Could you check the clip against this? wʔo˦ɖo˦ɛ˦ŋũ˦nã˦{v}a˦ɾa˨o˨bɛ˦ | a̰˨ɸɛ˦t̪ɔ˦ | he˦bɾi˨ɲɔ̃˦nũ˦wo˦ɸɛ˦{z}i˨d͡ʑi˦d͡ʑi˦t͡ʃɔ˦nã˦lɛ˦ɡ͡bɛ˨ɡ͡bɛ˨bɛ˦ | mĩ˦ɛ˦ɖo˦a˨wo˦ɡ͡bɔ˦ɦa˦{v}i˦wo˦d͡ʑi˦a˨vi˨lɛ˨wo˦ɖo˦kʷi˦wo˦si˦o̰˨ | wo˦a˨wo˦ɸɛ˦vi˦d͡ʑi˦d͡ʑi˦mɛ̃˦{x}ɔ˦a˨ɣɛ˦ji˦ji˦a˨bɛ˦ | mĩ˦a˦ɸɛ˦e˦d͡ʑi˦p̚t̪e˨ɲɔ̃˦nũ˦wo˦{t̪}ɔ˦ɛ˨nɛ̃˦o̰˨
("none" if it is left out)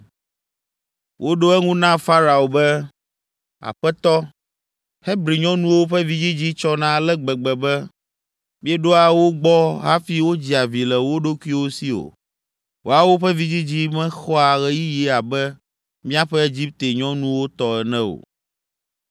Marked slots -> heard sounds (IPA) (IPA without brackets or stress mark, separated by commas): f, v, f, x, t̪